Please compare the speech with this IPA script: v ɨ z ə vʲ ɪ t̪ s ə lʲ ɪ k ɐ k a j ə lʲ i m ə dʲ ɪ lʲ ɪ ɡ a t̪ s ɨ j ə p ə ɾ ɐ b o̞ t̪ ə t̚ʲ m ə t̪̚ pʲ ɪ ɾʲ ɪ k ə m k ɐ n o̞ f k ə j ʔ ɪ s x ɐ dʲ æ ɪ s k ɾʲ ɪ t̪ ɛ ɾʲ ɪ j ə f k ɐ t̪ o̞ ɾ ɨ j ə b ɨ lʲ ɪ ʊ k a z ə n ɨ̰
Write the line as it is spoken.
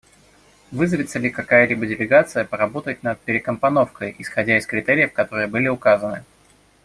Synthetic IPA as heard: v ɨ z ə vʲ ɪ t̪ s ə lʲ ɪ k ɐ k a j ə lʲ i b ə dʲ ɪ lʲ ɪ ɡ a t̪ s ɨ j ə p ə ɾ ɐ b o̞ t̪ ə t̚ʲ n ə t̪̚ pʲ ɪ ɾʲ ɪ k ə m p ɐ n o̞ f k ə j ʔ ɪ s x ɐ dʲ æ ɪ s k ɾʲ ɪ t̪ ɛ ɾʲ ɪ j ə f k ɐ t̪ o̞ ɾ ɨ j ə b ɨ lʲ ɪ ʊ k a z ə n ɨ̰